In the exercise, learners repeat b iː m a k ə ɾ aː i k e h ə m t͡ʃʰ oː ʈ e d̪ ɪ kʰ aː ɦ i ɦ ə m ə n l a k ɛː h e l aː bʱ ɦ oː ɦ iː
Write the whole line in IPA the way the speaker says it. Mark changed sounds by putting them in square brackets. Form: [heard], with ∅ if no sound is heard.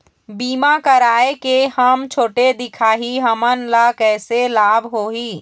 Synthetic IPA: b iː m a k ə ɾ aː [e] k e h ə m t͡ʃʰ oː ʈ e d̪ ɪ kʰ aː ɦ i ɦ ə m ə n l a k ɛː [s] e l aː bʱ ɦ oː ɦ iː